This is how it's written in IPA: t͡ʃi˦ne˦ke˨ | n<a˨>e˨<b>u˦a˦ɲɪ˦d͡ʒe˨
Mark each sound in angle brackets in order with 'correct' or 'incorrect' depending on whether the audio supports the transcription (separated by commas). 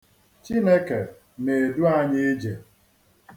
incorrect, incorrect